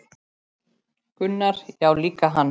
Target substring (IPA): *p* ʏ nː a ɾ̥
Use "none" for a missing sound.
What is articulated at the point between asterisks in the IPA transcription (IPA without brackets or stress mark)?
k